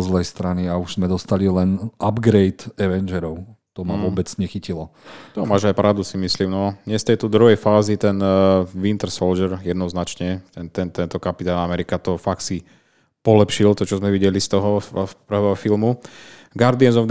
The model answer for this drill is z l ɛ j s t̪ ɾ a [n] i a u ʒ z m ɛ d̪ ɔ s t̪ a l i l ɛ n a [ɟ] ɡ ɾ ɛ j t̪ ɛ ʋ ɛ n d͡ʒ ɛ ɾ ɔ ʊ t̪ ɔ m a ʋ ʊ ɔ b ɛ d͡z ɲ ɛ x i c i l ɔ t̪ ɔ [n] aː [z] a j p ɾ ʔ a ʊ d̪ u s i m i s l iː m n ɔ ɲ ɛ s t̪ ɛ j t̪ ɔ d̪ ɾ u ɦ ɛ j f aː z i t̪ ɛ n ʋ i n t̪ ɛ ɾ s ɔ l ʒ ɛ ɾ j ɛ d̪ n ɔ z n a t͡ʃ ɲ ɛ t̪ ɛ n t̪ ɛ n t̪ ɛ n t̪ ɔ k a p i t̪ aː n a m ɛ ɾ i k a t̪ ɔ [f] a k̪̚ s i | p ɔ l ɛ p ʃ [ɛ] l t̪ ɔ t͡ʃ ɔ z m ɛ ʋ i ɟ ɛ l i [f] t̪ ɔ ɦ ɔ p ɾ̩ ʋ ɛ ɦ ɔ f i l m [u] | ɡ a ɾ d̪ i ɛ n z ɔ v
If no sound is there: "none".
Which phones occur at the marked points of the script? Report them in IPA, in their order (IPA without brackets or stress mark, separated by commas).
n, b, m, ʒ, f, i, s, u